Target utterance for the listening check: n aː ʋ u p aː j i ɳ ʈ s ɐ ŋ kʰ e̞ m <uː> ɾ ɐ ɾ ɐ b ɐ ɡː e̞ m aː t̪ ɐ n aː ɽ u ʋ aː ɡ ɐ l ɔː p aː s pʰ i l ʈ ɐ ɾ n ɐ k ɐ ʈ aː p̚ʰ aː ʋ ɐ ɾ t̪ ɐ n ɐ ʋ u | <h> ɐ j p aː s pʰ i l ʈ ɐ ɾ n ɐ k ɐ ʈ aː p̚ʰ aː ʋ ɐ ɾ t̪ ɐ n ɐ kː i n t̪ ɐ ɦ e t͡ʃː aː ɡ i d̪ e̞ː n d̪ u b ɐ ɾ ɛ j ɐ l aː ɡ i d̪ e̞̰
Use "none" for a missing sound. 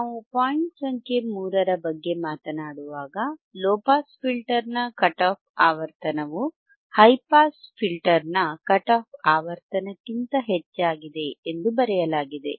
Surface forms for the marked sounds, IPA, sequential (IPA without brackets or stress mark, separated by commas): uː, h